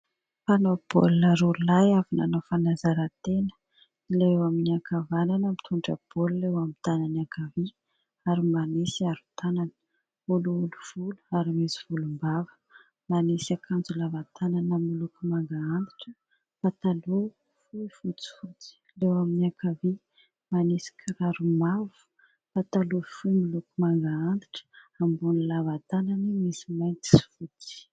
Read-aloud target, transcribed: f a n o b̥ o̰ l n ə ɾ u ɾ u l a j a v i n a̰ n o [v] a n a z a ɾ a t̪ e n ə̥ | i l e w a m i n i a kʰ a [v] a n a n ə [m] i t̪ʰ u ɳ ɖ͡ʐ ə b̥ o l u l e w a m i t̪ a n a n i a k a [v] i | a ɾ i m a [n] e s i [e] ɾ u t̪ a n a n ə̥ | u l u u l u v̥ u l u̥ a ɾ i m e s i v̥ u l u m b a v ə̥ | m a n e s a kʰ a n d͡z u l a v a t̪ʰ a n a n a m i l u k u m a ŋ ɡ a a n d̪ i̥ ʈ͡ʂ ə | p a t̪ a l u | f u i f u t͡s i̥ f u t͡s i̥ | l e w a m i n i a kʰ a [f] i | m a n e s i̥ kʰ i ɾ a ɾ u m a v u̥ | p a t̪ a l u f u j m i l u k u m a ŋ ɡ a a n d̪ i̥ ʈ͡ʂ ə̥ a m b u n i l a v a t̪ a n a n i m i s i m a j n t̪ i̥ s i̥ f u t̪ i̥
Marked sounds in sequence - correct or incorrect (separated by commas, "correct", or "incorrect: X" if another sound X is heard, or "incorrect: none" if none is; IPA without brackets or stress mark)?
incorrect: f, correct, correct, correct, correct, incorrect: a, incorrect: v